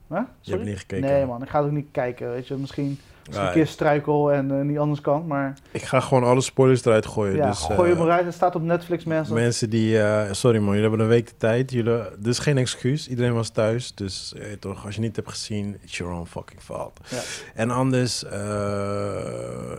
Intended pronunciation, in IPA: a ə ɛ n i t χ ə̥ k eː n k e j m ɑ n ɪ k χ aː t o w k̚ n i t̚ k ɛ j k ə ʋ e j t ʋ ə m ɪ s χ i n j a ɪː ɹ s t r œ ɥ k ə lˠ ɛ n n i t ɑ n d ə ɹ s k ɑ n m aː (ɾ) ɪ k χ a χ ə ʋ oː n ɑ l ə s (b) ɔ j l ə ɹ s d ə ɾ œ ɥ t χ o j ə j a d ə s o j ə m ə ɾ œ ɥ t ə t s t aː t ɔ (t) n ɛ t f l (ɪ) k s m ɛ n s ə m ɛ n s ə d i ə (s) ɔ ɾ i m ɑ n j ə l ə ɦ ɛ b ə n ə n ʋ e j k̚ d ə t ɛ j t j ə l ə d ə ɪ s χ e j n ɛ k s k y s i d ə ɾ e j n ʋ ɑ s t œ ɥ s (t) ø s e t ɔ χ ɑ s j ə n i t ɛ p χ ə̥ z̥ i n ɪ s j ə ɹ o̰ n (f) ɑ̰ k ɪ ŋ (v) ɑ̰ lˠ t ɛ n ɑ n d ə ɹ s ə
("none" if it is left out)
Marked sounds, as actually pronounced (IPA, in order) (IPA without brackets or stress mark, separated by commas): ɹ, p, p, ɪ, s, d, f, f